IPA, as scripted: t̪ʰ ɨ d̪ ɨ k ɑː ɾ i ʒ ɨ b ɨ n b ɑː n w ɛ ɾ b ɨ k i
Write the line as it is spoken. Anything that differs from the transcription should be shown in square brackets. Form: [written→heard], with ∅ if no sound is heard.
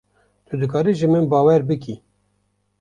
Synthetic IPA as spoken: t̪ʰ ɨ d̪ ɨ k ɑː ɾ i ʒ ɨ [b→m] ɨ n b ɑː [n→∅] w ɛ ɾ b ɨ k i